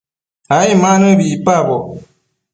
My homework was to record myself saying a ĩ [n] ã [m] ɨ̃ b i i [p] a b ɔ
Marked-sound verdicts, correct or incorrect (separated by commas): incorrect, incorrect, correct